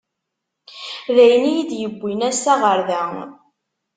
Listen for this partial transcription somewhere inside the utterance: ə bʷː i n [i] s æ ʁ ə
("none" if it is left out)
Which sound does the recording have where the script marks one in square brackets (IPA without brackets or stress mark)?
æ